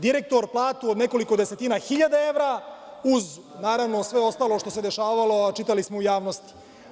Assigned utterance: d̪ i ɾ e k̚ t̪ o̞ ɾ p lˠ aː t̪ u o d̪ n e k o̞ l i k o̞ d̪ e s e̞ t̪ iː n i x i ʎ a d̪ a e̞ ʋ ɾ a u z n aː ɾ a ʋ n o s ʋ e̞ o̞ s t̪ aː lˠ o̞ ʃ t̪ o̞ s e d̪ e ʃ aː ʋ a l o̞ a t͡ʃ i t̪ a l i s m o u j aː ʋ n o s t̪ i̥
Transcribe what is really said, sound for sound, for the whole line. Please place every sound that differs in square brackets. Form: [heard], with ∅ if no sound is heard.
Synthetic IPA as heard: d̪ i ɾ e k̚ t̪ o̞ ɾ p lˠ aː t̪ u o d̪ n e k o̞ l i k o̞ d̪ e s e̞ t̪ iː n [a] x i ʎ a d̪ a e̞ ʋ ɾ a u z n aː ɾ a ʋ n o s ʋ e̞ o̞ s t̪ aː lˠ o̞ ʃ t̪ o̞ s e d̪ e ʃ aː ʋ a l o̞ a t͡ʃ i t̪ a l i s m o u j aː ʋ n o s t̪ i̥